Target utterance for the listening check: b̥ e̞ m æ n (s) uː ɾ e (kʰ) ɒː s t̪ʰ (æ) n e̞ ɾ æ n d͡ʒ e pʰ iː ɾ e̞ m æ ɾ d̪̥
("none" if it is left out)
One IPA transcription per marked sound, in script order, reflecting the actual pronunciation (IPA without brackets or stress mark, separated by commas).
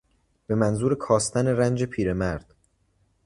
z, kʰ, æ